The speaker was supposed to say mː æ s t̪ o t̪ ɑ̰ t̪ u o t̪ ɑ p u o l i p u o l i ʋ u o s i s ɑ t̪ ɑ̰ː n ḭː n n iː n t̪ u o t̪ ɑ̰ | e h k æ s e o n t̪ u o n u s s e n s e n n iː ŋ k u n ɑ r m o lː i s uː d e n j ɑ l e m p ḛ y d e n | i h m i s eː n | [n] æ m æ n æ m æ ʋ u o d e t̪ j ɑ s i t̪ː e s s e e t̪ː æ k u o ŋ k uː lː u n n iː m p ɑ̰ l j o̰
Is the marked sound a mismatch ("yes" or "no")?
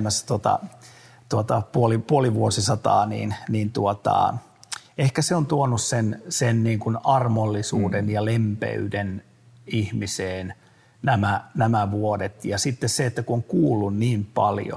no